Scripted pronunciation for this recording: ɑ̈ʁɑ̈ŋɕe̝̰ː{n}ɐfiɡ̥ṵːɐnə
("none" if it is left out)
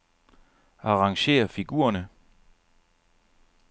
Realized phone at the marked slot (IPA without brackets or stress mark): none